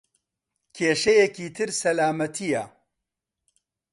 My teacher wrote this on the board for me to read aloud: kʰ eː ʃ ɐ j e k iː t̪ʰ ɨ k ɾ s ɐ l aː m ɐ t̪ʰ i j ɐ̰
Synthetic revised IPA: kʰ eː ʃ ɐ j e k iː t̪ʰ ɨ ɾ s ɐ l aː m ɐ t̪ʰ i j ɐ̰